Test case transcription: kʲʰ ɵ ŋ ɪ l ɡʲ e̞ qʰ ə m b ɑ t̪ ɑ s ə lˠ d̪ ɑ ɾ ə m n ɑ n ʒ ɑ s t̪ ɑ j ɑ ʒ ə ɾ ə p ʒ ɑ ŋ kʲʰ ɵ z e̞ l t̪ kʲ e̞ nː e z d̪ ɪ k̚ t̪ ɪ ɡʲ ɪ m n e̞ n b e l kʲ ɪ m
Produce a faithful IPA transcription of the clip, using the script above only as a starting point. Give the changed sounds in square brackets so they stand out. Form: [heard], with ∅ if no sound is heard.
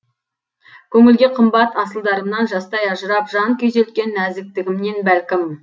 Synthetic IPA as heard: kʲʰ ɵ ŋ ɪ l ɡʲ e̞ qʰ ə m b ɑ t̪ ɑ s ə lˠ d̪ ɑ ɾ ə m n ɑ n ʒ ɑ s t̪ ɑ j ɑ ʒ ə ɾ [ɑ] p ʒ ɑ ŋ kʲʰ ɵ z e̞ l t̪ kʲ e̞ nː [æ] z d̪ ɪ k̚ t̪ ɪ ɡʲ ɪ m n e̞ n b [æ] l kʲ ɪ m